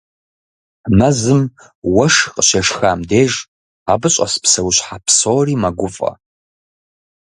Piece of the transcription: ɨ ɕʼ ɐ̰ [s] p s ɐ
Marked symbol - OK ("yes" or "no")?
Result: yes